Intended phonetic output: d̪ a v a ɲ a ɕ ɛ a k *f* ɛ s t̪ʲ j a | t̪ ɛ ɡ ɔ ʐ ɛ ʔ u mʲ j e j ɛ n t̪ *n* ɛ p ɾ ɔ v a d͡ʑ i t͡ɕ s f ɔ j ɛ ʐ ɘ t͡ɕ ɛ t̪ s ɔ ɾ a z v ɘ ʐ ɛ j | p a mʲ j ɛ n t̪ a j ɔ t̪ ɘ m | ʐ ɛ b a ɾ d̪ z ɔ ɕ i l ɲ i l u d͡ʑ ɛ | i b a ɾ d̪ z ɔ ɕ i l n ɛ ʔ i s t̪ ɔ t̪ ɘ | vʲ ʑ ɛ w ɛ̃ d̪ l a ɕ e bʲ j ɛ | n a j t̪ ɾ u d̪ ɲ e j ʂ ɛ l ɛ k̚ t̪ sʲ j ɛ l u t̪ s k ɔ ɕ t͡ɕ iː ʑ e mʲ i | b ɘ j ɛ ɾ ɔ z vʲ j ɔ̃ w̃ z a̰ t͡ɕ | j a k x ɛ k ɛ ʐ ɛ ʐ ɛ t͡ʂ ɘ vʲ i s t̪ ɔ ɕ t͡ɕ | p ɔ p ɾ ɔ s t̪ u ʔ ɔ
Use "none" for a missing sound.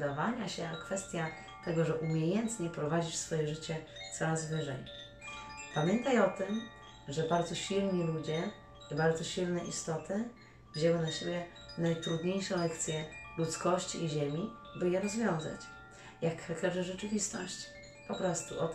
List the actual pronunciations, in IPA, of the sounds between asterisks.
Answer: f, ɲ

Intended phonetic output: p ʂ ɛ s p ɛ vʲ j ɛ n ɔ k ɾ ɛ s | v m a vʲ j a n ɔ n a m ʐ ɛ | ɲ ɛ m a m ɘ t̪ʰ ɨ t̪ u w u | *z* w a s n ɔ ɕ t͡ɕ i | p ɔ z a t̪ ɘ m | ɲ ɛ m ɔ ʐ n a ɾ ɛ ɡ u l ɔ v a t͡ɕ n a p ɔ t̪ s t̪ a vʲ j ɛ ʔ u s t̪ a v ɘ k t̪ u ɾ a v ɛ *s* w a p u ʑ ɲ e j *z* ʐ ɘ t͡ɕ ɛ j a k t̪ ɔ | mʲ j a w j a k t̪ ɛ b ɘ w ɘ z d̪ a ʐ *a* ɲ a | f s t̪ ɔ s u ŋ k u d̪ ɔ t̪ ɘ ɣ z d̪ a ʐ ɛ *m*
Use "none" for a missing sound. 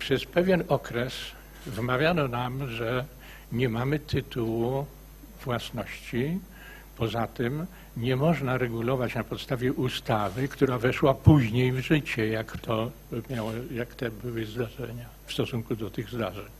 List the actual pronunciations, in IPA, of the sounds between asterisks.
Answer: v, ʂ, v, ɛ, ɲ

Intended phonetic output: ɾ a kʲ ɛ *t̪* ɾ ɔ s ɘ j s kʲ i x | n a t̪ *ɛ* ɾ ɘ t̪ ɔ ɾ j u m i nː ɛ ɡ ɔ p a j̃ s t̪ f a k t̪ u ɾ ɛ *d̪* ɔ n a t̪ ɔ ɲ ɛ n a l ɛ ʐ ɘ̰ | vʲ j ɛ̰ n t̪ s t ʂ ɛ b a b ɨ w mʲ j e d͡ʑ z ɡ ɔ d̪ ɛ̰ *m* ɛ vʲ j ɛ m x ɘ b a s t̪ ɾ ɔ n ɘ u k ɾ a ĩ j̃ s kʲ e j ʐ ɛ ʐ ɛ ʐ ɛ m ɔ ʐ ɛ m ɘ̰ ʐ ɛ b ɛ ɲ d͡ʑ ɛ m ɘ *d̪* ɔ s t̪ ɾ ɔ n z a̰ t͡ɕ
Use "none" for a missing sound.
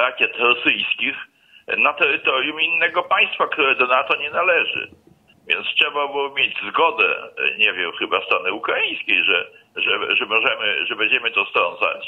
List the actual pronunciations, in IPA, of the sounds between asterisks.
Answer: t̪, ɛ, d̪, ɲ, t̪

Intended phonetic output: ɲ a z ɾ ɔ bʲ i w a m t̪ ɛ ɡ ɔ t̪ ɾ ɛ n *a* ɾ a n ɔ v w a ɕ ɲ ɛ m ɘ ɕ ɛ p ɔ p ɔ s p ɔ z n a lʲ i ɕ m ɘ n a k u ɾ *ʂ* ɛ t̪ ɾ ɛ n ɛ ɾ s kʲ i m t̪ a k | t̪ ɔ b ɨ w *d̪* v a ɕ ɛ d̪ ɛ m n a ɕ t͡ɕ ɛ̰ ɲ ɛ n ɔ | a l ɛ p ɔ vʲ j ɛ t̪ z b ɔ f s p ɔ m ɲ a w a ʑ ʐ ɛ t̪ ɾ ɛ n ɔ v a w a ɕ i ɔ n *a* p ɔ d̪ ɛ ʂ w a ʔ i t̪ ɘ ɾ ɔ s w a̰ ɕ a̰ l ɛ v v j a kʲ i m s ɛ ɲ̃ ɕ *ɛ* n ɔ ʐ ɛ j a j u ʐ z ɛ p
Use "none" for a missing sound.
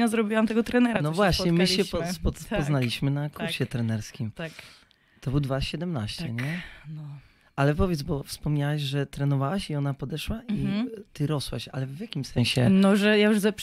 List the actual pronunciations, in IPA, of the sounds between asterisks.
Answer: ɛ, ɕ, d̪, a, ɛ

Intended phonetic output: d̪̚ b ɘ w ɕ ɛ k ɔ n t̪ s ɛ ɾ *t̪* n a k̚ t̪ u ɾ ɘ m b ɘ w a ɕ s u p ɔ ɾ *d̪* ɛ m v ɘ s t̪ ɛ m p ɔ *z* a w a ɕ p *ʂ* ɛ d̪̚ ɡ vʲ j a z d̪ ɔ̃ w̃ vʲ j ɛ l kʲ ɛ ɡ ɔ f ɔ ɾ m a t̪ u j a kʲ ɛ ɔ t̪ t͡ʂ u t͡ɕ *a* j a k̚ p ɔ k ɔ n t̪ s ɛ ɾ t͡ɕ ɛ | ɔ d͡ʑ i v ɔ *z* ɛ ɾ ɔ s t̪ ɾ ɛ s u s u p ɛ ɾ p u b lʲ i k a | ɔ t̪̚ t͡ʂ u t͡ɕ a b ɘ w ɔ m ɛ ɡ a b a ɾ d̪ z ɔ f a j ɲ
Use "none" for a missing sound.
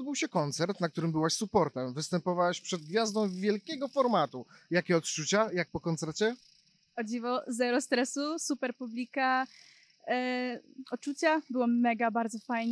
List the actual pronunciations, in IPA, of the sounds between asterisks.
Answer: t̪, t̪, v, ʂ, a, z

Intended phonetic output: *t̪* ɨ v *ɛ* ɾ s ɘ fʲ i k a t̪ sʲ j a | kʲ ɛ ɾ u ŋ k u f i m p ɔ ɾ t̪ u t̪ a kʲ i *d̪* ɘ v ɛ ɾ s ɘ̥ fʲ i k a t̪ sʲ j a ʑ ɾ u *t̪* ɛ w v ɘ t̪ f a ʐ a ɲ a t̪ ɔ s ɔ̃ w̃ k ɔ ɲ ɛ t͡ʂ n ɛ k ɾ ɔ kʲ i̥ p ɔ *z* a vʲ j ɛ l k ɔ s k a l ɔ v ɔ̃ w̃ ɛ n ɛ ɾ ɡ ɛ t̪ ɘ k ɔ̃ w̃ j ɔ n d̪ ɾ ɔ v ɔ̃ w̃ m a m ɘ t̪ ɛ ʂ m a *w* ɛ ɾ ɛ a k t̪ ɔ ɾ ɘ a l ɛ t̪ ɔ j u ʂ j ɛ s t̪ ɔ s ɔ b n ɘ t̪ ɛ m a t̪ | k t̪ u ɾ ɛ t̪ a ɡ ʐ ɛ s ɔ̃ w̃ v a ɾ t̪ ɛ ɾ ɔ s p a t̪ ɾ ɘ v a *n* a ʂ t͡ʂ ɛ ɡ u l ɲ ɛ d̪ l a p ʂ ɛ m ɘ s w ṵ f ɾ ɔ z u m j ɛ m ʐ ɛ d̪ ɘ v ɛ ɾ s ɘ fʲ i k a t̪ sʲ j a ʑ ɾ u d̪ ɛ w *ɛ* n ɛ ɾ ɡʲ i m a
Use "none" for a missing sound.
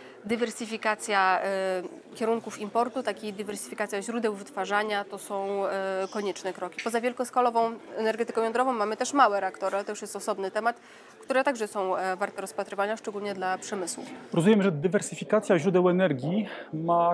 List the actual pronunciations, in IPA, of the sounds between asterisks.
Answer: d̪, ɛ, d̪, d̪, z, w, ɲ, ɛ

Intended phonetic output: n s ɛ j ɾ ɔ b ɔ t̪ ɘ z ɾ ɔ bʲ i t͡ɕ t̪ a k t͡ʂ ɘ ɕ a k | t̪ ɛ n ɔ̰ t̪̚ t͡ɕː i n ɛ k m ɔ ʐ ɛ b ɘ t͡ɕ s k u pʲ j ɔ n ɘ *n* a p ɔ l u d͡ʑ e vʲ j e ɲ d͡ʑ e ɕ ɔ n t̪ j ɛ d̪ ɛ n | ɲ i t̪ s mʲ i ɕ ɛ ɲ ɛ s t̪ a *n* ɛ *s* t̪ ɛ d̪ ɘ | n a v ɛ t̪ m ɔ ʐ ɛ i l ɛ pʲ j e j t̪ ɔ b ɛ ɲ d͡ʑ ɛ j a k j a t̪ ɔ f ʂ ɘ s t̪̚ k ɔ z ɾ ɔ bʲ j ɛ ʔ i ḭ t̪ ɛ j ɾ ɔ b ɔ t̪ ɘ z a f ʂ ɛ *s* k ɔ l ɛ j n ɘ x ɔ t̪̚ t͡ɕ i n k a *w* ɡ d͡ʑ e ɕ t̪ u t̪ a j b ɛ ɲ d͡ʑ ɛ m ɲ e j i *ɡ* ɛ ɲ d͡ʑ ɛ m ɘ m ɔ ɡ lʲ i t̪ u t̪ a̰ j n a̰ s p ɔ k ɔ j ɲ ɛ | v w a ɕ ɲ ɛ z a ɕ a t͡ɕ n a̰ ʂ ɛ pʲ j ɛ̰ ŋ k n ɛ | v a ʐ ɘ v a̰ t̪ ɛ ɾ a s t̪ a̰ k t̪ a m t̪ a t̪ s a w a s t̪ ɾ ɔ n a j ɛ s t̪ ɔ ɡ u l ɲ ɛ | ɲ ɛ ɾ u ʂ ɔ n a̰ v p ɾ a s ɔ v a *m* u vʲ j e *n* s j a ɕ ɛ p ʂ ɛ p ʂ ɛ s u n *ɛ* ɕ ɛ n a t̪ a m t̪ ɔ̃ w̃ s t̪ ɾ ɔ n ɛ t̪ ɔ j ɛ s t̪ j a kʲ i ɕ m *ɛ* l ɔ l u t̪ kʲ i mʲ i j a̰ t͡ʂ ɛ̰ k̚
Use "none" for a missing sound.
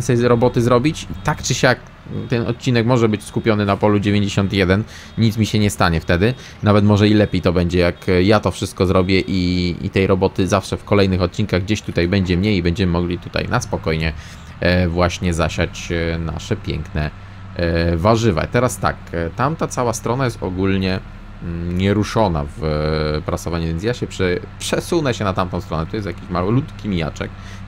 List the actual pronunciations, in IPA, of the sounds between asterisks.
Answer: n, ɲ, f, f, ɣ, b, ɲ, n, ɛ, a

